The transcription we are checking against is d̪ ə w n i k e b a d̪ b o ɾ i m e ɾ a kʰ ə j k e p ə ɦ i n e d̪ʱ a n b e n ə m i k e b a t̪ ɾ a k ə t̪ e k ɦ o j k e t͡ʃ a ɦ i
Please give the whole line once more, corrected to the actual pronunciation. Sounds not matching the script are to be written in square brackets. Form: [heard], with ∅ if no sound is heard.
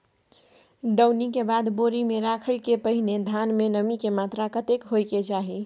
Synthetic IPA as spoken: d̪ ə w n i k e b a d̪ b o ɾ i m e ɾ a kʰ ə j k e p ə ɦ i n e d̪ʱ a n [m] e n ə m i k e [m] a t̪ ɾ a k ə t̪ e k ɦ o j k e t͡ʃ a ɦ i